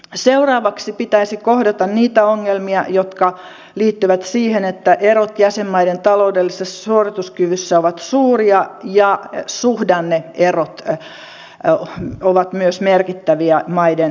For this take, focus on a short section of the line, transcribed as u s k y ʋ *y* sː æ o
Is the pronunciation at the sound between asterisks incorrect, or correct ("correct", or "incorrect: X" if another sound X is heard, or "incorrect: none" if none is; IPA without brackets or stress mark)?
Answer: correct